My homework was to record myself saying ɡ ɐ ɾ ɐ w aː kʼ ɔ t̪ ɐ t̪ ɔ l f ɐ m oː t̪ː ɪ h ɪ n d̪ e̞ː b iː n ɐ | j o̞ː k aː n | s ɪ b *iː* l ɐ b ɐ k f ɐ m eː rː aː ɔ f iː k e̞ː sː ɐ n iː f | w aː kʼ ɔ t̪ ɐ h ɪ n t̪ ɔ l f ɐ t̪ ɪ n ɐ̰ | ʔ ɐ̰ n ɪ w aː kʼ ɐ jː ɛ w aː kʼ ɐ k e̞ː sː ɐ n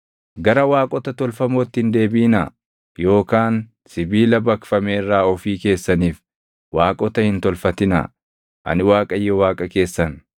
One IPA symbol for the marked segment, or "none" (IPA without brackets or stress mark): iː